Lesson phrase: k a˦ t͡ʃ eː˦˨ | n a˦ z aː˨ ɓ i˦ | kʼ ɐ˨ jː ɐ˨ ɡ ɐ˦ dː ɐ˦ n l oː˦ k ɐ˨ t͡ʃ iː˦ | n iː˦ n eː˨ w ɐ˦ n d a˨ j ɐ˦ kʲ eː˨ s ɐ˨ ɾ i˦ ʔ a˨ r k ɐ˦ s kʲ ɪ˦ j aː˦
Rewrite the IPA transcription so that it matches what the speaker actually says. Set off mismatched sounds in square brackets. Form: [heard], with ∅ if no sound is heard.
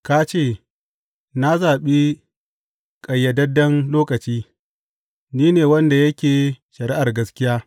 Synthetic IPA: k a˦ t͡ʃ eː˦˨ | n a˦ z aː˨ ɓ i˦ | kʼ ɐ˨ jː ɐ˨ [d] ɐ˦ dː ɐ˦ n l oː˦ k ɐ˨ t͡ʃ iː˦ | n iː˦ n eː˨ w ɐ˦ n d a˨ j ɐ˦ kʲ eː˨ [ʃ] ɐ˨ ɾ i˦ ʔ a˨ r [ɡ] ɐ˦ s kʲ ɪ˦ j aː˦